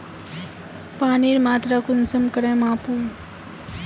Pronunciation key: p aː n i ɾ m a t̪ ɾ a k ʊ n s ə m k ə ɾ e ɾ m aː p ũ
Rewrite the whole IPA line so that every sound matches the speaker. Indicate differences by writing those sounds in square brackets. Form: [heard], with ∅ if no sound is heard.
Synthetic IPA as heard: p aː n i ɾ m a t̪ ɾ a k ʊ n s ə m k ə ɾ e [∅] m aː p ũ